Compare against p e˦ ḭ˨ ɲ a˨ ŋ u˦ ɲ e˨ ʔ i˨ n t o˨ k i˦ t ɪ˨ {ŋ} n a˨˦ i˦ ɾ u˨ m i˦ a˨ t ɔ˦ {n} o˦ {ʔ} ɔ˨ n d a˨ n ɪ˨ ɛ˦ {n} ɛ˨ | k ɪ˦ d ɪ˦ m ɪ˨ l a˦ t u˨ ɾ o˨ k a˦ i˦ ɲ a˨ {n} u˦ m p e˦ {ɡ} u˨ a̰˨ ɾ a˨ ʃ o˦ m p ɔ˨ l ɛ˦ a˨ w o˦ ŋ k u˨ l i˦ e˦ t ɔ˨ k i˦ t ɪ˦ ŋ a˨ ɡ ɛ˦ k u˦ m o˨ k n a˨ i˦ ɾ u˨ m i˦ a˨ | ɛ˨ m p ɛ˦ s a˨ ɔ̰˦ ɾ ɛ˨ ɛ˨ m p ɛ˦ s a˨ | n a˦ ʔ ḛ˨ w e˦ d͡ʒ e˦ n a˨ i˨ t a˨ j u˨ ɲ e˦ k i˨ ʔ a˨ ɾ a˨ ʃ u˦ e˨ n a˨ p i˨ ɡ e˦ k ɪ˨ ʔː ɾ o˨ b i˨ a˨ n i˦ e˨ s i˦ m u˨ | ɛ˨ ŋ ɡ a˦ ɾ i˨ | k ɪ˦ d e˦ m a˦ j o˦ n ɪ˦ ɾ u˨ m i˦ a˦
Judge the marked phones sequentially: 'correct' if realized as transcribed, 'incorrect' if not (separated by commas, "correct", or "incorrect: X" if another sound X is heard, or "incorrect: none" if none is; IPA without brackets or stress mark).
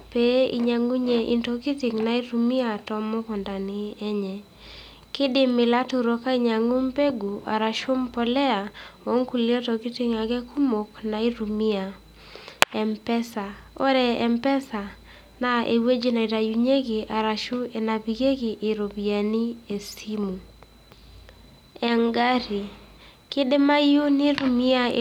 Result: correct, incorrect: m, incorrect: k, incorrect: ɲ, incorrect: ŋ, correct